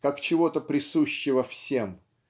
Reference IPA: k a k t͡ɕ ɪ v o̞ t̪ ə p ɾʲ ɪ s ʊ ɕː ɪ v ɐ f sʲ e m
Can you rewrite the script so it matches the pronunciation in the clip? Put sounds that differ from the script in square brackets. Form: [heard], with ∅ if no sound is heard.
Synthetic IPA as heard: k a k t͡ɕ ɪ v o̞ t̪ ə p ɾʲ ɪ s [u] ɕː ɪ v [ə] f sʲ e m